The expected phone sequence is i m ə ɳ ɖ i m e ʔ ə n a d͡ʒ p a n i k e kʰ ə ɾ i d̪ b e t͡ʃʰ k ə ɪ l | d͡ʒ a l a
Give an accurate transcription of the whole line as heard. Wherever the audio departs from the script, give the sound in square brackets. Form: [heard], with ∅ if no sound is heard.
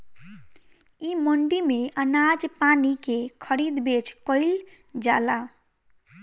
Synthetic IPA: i m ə ɳ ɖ i m e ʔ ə n a d͡ʒ p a n i k e kʰ ə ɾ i d̪ b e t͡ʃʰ k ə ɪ l | d͡ʒ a l a